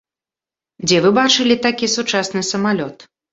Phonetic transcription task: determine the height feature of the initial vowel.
mid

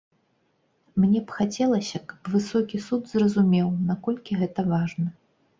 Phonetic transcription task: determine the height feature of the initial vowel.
mid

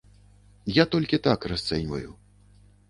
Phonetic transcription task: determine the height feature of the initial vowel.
low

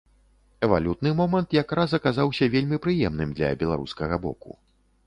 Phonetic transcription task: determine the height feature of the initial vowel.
mid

